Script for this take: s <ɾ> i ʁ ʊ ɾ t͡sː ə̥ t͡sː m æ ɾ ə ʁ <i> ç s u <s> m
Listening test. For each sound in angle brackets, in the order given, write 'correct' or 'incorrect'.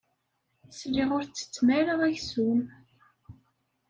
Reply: incorrect, incorrect, incorrect

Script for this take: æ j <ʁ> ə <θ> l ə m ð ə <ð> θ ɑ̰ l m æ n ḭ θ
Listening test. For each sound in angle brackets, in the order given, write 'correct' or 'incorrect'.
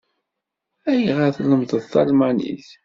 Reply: correct, correct, correct

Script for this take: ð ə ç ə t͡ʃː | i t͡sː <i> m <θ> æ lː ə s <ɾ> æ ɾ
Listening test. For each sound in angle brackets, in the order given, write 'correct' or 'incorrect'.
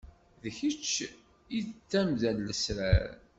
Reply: incorrect, incorrect, correct

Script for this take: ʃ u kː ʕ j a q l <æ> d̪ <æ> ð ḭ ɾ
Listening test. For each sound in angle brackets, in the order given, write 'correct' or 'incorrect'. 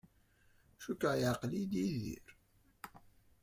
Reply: incorrect, incorrect

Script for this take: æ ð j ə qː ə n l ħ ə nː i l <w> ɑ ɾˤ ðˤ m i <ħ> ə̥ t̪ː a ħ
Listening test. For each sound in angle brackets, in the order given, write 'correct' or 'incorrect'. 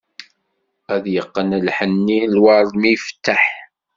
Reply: correct, incorrect

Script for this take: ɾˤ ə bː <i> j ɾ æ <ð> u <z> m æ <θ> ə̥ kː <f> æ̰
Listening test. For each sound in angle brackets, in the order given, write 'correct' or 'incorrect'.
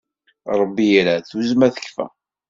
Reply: correct, incorrect, correct, correct, correct

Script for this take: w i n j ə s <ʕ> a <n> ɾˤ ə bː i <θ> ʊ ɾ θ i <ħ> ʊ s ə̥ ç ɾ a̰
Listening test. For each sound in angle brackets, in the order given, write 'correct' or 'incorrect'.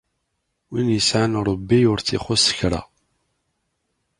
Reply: correct, correct, incorrect, incorrect

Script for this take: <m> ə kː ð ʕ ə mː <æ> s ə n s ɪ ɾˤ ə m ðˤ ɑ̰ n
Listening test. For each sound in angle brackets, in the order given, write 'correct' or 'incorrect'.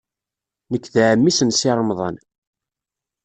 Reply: incorrect, incorrect

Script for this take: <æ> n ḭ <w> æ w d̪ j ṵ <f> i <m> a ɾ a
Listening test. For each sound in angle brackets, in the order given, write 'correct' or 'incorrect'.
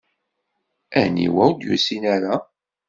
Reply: correct, correct, incorrect, incorrect

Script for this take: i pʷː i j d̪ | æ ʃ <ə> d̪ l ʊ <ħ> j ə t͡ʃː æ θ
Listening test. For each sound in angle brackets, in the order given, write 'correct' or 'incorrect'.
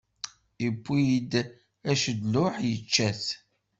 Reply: correct, correct

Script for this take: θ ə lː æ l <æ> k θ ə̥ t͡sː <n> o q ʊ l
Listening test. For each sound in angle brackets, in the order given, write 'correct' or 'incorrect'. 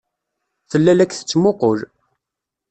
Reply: correct, incorrect

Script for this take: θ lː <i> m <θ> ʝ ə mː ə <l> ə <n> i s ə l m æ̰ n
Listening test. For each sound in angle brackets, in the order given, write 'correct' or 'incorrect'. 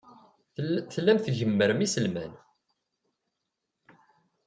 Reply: incorrect, correct, incorrect, incorrect

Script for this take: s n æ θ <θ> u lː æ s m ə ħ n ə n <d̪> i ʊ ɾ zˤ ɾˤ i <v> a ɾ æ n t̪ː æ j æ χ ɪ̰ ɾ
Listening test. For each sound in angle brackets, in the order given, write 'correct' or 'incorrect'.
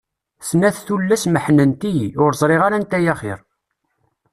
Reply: correct, incorrect, incorrect

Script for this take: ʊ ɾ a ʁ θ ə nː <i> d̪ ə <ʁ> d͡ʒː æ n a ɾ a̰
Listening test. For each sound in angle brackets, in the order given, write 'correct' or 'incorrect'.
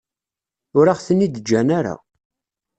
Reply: correct, incorrect

